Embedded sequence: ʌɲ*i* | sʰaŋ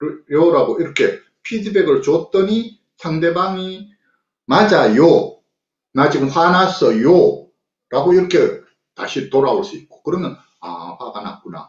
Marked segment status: correct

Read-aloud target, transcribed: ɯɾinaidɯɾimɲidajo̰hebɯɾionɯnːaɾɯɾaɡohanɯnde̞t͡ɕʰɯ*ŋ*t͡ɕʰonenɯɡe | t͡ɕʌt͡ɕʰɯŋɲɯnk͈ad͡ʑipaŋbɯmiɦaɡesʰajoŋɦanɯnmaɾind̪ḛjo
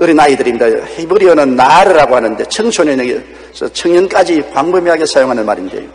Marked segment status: correct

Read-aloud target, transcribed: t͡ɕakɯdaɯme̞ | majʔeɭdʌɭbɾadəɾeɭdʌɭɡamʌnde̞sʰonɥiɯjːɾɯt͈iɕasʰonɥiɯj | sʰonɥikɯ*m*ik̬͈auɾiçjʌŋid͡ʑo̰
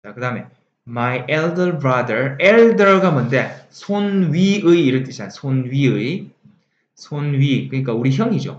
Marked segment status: incorrect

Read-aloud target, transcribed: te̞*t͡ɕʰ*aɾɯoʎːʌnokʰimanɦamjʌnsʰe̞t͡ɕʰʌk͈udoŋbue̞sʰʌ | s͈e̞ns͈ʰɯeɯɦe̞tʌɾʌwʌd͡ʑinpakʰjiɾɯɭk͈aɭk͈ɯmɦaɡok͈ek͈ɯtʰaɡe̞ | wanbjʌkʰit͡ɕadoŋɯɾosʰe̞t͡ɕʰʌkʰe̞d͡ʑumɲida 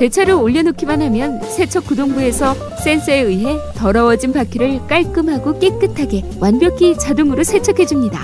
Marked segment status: correct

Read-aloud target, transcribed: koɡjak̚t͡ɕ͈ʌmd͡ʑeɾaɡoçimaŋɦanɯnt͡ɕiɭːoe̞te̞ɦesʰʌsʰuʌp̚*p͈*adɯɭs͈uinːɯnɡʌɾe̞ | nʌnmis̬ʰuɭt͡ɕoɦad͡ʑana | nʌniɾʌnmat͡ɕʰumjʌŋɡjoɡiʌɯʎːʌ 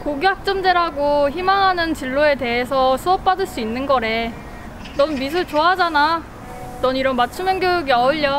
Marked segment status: correct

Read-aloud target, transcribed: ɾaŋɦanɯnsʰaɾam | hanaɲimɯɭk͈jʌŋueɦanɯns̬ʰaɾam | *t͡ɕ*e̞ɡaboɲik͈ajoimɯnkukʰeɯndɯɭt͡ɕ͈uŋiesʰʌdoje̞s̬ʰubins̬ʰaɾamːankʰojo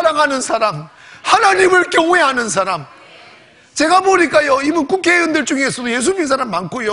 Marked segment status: correct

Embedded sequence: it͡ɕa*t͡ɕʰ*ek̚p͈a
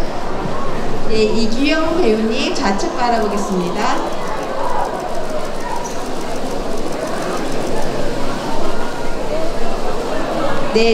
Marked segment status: correct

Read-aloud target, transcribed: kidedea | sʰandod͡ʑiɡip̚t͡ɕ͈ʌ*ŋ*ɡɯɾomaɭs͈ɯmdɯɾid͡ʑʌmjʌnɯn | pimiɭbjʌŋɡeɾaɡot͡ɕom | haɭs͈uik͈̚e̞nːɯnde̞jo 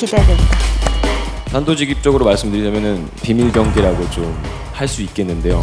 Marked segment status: incorrect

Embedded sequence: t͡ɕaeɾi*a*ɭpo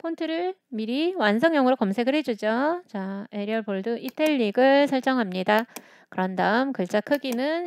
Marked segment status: incorrect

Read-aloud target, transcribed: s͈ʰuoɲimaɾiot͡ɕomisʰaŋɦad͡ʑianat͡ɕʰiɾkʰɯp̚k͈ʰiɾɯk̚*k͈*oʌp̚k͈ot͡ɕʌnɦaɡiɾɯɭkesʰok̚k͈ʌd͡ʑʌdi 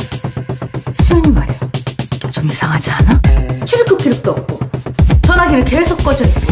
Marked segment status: incorrect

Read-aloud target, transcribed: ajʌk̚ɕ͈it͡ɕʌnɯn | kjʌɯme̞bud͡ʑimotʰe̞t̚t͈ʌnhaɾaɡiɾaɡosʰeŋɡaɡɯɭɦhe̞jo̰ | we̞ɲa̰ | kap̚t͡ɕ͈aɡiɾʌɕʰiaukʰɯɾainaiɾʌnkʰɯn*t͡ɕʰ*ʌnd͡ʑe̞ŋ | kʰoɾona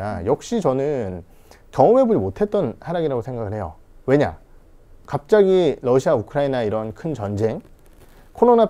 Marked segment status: incorrect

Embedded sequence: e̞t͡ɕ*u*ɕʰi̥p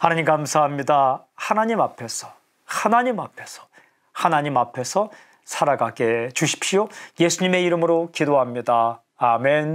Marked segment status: correct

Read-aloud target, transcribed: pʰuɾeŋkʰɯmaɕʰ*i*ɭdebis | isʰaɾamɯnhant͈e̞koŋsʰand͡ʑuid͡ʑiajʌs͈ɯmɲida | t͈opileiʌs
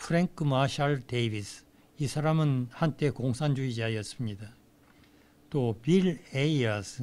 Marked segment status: incorrect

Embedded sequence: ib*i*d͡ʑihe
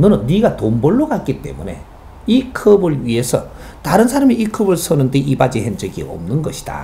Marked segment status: incorrect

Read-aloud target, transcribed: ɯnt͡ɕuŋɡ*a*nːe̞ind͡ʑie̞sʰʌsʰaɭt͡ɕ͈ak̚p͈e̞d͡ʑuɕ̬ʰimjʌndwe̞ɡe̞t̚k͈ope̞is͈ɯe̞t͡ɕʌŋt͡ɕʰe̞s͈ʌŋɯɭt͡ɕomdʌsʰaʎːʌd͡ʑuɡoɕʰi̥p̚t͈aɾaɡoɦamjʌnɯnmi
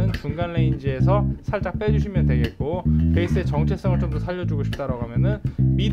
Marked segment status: correct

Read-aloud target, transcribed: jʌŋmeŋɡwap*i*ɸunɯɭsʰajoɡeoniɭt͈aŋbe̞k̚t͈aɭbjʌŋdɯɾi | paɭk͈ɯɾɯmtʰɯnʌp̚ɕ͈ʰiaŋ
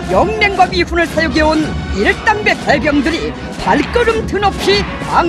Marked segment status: correct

